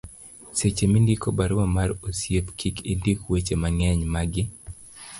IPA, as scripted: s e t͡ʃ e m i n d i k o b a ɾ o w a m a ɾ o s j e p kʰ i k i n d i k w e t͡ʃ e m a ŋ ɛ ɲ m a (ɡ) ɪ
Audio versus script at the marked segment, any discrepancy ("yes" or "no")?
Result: no